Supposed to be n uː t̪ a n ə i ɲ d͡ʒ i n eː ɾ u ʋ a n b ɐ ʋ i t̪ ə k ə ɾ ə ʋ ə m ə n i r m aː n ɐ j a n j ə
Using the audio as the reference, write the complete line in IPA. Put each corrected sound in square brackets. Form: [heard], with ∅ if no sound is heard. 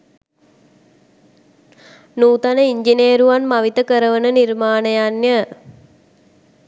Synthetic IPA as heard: n uː t̪ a n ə i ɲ d͡ʒ i n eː ɾ u ʋ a n [m] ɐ ʋ i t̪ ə k ə ɾ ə ʋ ə [n] ə n i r m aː n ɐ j a n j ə